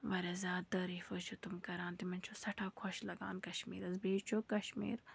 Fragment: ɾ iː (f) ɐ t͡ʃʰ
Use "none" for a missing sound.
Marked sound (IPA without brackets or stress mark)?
f